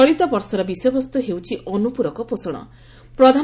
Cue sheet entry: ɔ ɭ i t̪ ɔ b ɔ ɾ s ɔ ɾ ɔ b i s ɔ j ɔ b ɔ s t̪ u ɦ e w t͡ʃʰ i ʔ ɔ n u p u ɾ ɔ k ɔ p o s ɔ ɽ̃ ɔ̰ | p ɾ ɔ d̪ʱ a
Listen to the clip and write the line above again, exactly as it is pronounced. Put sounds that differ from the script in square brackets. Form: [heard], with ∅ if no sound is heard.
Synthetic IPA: ɔ ɭ i t̪ ɔ b ɔ ɾ s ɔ ɾ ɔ b i s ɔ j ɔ b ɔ s t̪ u ɦ e w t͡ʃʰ i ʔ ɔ n u p u ɾ ɔ k ɔ p o s ɔ ɽ̃ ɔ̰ | p ɾ ɔ d̪ʱ a